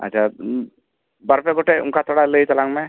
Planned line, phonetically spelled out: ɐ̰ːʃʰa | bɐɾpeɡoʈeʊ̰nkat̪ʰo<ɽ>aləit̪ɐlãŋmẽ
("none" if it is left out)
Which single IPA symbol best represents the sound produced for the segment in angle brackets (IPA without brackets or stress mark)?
ɽ